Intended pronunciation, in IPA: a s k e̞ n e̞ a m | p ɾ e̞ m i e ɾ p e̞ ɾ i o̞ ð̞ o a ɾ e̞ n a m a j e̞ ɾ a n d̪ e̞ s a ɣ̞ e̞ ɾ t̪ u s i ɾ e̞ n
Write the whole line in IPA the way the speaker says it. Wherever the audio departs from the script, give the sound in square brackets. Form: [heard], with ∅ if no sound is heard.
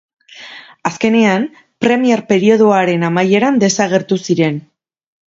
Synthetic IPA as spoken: a s k e̞ n e̞ a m | p ɾ e̞ m i e ɾ p e̞ ɾ i o̞ ð̞ o a ɾ e̞ n a m a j e̞ ɾ a n d̪ e̞ s a ɣ̞ e̞ ɾ t̪ u s i ɾ e̞ n